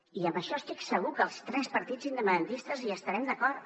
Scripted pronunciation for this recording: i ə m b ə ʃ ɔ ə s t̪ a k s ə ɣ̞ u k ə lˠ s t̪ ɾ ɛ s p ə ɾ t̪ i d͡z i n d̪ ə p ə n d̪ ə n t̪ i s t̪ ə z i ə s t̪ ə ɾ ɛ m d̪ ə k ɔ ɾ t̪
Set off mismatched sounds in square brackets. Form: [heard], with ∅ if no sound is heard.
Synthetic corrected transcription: i ə m b ə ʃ ɔ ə s t̪ [i] k s ə ɣ̞ u k ə lˠ s t̪ ɾ ɛ s p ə ɾ t̪ i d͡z i n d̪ ə p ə n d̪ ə n t̪ i s t̪ ə z i ə s t̪ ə ɾ ɛ m d̪ ə k ɔ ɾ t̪

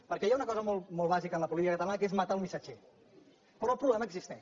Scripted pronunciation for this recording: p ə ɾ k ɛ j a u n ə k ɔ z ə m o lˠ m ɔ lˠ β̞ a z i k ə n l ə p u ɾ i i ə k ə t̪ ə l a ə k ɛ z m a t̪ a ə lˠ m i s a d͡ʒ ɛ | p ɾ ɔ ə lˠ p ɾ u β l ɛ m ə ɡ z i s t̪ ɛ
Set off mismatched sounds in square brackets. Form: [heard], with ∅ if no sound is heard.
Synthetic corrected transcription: p ə ɾ k ɛ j a u n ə k ɔ z ə m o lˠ m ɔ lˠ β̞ a z i k ə n l ə p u [l] i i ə k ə t̪ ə l a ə k [e] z m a t̪ a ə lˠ m i s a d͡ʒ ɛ | p ɾ ɔ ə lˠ p ɾ u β l ɛ m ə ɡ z i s t̪ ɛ

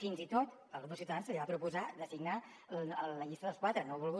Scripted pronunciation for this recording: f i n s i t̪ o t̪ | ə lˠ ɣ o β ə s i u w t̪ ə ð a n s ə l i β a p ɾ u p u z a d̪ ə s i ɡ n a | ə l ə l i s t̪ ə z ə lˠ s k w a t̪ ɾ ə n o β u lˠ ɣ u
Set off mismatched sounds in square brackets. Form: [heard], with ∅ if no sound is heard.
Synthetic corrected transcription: f i n [z] i t̪ o t̪ | ə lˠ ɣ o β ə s i u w t̪ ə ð a n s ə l i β a p ɾ u p u z a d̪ ə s i ɡ n a | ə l ə [ʎ] i s t̪ ə [ð] ə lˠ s k w a t̪ ɾ ə n o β u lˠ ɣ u

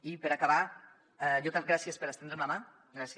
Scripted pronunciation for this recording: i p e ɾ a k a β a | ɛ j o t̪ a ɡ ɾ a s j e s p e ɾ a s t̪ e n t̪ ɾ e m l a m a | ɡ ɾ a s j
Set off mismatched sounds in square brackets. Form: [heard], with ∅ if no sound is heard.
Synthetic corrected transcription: i p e ɾ a k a β a | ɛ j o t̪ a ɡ ɾ a s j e s p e ɾ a s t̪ e n [d̪] ɾ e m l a m a | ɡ ɾ a s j

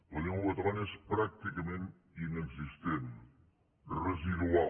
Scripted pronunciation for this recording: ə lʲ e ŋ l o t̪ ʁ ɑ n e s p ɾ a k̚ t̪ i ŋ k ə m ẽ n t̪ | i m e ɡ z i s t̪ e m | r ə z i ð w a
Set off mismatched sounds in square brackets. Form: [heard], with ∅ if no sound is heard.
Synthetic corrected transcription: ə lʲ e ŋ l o t̪ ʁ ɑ n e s p ɾ a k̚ t̪ i [∅] k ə m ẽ n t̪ | i [n] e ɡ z i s t̪ e [n] | r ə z i ð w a

